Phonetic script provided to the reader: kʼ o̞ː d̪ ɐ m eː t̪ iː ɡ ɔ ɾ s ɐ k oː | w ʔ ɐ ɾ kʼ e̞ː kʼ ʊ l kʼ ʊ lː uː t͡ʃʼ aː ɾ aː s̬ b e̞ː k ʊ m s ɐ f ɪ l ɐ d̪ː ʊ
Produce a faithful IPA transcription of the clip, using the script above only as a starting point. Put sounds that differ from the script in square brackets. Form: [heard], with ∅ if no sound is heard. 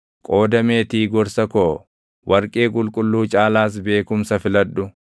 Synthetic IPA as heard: kʼ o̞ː d̪ ɐ m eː t̪ iː ɡ ɔ ɾ s ɐ k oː | w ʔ ɐ ɾ kʼ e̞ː kʼ ʊ l kʼ ʊ lː uː t͡ʃʼ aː [l] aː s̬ b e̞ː k ʊ m s ɐ f ɪ l ɐ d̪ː ʊ